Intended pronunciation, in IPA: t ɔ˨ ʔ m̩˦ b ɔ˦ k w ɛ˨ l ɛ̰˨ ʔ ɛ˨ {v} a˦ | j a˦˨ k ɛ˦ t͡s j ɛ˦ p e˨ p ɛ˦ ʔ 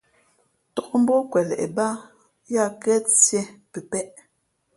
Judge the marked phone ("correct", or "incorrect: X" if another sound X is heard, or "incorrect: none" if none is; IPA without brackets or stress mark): incorrect: b